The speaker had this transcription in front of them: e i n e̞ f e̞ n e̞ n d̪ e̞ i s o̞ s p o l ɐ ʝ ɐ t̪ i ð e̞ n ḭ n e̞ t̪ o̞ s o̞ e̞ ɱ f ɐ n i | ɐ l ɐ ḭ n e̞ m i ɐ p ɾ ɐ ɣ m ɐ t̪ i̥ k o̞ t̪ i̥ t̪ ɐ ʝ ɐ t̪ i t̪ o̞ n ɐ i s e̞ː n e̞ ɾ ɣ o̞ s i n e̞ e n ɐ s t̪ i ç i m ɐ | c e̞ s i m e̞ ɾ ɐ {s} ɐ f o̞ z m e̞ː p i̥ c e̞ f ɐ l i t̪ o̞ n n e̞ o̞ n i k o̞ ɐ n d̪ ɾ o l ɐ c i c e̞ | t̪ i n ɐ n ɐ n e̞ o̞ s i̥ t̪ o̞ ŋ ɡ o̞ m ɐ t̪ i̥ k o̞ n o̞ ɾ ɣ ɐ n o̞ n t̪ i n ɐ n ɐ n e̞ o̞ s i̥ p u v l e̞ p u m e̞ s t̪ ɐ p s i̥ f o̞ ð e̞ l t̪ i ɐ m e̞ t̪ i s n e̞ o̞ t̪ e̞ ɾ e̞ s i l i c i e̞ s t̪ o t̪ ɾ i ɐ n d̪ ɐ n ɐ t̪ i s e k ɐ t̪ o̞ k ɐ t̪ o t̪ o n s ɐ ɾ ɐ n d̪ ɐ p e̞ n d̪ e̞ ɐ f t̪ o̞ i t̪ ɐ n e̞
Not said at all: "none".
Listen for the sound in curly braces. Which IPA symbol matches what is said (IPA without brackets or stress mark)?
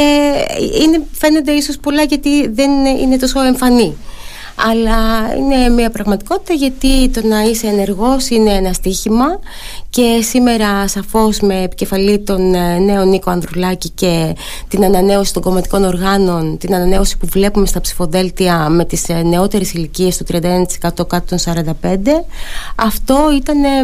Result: s